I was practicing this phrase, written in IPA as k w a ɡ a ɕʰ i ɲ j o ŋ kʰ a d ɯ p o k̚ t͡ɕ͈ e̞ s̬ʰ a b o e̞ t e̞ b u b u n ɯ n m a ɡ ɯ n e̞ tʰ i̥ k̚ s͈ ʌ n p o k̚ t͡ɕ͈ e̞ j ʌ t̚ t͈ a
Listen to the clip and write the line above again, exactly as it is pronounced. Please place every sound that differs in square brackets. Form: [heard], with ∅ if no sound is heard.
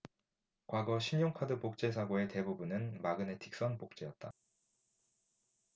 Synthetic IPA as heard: k w a ɡ [ʌ] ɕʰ i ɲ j o ŋ kʰ a d ɯ p o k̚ t͡ɕ͈ e̞ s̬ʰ a [ɡ] o e̞ t e̞ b u b u n ɯ n m a ɡ ɯ n e̞ tʰ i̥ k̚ s͈ ʌ n p o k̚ t͡ɕ͈ e̞ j ʌ t̚ t͈ a